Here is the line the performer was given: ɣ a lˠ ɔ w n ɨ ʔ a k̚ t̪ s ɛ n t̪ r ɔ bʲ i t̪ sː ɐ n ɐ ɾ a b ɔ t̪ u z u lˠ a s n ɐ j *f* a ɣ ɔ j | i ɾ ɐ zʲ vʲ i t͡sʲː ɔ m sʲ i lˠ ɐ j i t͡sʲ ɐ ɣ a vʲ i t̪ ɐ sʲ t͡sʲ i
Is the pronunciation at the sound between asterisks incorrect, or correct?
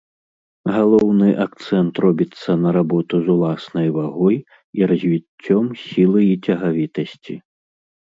incorrect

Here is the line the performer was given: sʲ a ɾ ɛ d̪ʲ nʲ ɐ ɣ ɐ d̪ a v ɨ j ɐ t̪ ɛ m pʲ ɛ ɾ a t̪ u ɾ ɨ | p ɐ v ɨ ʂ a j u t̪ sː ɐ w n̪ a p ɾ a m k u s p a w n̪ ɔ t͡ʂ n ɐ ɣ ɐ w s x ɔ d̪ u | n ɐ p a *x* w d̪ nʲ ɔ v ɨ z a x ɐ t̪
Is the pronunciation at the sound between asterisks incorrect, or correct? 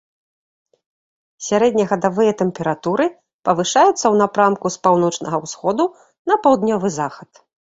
incorrect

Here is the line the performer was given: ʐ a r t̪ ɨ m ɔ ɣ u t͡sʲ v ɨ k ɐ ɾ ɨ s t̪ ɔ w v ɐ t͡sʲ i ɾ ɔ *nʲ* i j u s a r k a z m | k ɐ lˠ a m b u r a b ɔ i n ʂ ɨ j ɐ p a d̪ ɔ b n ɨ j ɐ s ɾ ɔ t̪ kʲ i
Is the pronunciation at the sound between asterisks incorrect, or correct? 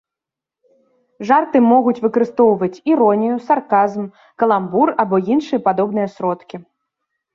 correct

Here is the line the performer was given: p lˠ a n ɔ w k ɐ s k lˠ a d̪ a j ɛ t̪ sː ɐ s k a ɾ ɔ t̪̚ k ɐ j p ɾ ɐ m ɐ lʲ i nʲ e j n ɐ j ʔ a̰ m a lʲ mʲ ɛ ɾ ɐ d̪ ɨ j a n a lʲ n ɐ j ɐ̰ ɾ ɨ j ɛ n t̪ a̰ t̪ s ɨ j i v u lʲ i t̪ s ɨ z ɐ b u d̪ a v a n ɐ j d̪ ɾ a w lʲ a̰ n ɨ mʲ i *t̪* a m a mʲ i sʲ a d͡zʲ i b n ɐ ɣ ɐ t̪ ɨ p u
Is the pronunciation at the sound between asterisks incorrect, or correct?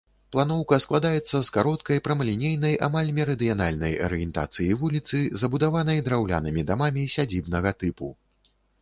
incorrect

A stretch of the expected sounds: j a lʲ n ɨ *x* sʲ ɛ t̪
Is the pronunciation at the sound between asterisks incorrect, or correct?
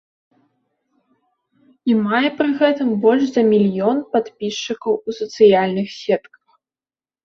correct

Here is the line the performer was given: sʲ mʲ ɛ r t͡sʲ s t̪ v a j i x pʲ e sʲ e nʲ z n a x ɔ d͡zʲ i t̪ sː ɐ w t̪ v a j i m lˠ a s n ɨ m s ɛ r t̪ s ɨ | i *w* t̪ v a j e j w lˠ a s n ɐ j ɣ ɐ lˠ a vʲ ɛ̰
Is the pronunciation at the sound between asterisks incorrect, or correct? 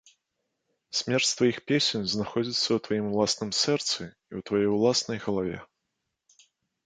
correct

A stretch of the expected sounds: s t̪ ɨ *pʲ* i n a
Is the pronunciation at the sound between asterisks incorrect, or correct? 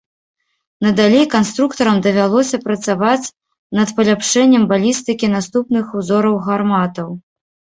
incorrect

